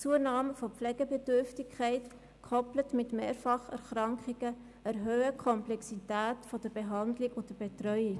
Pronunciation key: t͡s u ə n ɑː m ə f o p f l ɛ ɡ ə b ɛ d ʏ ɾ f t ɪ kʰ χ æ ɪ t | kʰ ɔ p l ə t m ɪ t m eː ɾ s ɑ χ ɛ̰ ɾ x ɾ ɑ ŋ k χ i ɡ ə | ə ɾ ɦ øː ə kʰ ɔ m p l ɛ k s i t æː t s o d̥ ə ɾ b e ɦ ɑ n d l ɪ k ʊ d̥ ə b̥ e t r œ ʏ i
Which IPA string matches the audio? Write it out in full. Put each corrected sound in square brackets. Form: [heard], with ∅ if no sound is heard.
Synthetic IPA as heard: t͡s u ə n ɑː m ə f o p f l ɛ ɡ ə b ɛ d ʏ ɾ f t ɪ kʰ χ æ ɪ t | kʰ ɔ p l ə t m ɪ t m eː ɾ [f] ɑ χ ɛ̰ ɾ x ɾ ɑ ŋ k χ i ɡ ə | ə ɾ ɦ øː ə kʰ ɔ m p l ɛ k s i t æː t [f] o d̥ ə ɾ b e ɦ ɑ n d l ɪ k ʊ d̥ ə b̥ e t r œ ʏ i